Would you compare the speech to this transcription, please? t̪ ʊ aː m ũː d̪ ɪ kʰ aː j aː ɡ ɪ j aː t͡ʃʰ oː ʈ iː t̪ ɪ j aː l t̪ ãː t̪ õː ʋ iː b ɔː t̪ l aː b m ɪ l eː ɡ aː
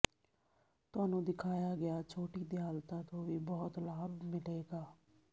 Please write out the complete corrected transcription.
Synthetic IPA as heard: t̪ ʊ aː n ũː d̪ ɪ kʰ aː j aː ɡ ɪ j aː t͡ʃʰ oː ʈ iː d̪ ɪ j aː l t̪ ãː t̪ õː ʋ iː b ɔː t̪ l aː b m ɪ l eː ɡ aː